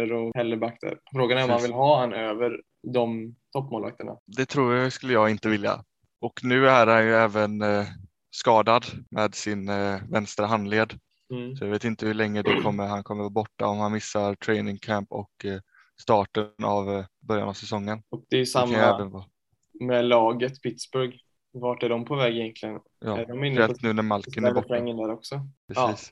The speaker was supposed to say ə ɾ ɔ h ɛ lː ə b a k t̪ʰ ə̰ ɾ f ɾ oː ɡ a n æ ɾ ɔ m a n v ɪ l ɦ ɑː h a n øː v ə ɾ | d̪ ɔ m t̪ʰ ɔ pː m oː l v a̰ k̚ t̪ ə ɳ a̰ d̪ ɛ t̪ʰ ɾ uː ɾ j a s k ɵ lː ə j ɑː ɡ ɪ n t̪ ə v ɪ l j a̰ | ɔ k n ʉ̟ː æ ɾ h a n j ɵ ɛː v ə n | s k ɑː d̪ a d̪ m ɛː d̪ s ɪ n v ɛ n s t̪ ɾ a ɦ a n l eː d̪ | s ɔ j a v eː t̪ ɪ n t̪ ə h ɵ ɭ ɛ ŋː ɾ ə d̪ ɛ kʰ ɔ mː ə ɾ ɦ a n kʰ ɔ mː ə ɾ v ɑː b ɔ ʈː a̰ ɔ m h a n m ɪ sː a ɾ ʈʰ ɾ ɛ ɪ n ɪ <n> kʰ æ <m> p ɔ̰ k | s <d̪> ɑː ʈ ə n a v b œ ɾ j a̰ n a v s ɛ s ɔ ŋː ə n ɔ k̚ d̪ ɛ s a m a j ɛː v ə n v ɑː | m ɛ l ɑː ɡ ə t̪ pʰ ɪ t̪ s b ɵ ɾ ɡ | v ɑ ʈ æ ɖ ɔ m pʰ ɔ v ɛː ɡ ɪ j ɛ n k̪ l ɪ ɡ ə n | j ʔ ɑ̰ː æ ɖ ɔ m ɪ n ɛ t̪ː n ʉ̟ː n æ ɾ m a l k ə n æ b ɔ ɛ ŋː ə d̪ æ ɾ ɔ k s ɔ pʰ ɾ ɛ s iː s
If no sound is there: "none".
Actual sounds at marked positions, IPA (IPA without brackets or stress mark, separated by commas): ŋ, m, t̪